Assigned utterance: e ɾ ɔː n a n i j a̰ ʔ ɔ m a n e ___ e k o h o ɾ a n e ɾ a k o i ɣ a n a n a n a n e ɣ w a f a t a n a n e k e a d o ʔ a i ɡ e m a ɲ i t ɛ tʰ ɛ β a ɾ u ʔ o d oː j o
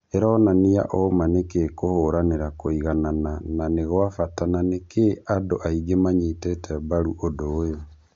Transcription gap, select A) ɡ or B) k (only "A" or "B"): B